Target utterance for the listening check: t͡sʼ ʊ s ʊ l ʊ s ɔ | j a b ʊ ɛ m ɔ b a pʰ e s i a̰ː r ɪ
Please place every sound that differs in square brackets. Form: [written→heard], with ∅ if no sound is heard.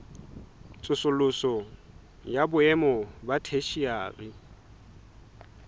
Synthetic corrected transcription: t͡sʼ ʊ s ʊ l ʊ s ɔ | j a b ʊ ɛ m ɔ b a [pʰ→tʰ] e [s→ʃ] i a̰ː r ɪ